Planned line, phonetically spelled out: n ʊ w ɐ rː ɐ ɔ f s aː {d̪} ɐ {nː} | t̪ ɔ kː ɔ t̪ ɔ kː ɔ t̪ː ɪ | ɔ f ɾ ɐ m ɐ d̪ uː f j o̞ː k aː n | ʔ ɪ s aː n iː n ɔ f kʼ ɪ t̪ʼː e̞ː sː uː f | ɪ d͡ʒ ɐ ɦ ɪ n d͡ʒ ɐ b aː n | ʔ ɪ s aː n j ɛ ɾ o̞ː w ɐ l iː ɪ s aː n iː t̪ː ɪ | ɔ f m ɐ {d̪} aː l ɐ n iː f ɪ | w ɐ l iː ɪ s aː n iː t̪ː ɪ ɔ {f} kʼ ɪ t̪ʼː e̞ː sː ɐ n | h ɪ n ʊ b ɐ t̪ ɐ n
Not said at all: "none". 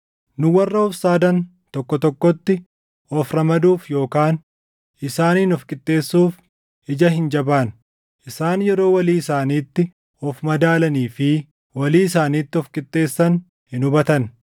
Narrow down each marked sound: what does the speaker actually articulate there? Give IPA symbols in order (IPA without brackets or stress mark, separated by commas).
d̪, n, d̪, f